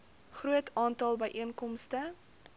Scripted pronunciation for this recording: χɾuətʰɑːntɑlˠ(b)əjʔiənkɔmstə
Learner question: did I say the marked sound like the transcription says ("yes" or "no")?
yes